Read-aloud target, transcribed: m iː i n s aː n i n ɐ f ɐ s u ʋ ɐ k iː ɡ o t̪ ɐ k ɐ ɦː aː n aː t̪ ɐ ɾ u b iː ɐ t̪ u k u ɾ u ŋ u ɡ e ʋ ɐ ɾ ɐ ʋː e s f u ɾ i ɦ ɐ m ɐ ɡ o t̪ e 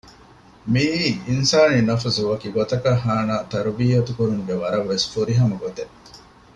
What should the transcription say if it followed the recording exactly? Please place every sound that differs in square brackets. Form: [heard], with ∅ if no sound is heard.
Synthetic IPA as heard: m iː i n s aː n i n ɐ f ɐ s u ʋ ɐ k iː ɡ o t̪ ɐ k ɐ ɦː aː n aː t̪ ɐ ɾ u b iː ɐ t̪ u k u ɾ u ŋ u ɡ e ʋ ɐ ɾ ɐ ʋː e s f u ɾ i ɦ ɐ m ɐ ɡ o t̪ e